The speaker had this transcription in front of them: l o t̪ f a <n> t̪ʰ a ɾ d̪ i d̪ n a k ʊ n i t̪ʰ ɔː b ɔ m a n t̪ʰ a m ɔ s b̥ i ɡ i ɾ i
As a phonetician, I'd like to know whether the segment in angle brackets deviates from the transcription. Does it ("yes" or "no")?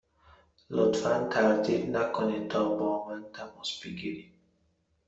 no